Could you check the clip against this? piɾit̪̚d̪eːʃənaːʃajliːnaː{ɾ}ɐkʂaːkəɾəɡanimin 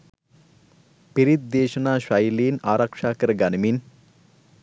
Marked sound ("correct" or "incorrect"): correct